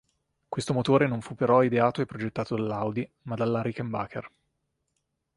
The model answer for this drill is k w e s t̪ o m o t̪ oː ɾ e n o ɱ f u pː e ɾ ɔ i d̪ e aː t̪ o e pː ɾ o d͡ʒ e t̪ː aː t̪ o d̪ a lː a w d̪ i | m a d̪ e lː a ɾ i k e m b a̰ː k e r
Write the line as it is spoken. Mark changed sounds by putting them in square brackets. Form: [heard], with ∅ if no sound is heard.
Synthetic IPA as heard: k w e s t̪ o m o t̪ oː ɾ e n o ɱ f u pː e ɾ ɔ i d̪ e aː t̪ o e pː ɾ o d͡ʒ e t̪ː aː t̪ o d̪ a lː a w d̪ i | m a d̪ [a] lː a ɾ i k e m b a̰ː k e r